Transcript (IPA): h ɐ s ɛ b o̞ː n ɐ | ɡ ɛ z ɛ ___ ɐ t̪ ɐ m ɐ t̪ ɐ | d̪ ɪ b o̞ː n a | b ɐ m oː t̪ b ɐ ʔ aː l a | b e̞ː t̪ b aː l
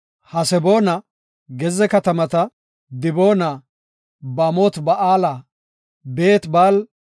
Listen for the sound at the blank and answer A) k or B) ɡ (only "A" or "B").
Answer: A